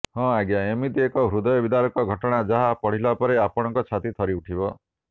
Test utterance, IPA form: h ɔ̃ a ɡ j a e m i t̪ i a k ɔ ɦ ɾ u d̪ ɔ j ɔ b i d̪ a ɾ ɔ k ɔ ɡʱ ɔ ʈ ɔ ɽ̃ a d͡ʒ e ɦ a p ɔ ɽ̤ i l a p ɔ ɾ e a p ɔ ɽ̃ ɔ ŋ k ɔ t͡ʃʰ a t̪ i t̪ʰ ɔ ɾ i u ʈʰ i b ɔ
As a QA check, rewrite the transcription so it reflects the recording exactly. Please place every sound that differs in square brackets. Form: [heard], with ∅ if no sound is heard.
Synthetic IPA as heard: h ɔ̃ a ɡ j a e m i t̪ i [e] k ɔ ɦ ɾ u d̪ ɔ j ɔ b i d̪ a ɾ ɔ k ɔ ɡʱ ɔ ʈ ɔ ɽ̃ a d͡ʒ [a] ɦ a p ɔ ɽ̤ i l a p ɔ ɾ e a p ɔ ɽ̃ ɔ ŋ k ɔ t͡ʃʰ a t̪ i t̪ʰ ɔ ɾ i u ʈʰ i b ɔ